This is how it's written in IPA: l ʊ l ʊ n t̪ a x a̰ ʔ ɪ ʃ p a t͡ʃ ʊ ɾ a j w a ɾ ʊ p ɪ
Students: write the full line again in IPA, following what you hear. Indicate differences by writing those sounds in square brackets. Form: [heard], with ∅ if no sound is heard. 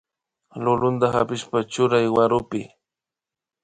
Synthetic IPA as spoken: l ʊ l ʊ n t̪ a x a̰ [p] ɪ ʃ p a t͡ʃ ʊ ɾ a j w a ɾ ʊ p ɪ